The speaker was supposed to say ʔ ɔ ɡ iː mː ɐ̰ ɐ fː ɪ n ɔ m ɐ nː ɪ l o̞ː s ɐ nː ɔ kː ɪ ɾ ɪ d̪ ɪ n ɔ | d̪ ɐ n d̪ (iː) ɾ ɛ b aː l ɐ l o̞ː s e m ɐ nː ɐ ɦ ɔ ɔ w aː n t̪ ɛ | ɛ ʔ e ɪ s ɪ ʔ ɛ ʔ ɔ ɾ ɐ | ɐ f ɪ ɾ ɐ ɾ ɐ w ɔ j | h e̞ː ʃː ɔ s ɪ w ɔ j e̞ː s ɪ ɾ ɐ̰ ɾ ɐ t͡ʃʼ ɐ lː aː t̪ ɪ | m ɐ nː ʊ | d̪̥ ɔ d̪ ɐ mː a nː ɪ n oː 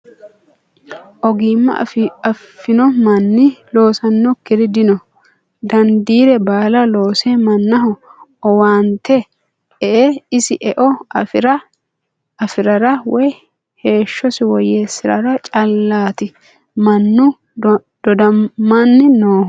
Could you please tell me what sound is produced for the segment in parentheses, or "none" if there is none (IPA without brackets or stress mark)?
iː